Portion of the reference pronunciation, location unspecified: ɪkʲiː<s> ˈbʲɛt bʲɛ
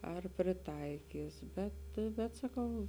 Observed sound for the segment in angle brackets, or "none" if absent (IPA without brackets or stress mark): s